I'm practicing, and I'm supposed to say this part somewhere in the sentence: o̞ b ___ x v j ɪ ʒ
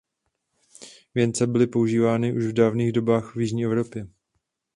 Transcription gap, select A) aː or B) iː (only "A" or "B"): A